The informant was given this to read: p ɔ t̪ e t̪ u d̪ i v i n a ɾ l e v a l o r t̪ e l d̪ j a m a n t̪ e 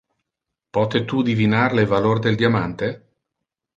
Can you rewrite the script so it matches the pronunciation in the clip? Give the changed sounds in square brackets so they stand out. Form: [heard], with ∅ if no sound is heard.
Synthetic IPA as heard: p ɔ t̪ e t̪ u d̪ i v i n a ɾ l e v a l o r [d̪] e l d̪ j a m a n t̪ e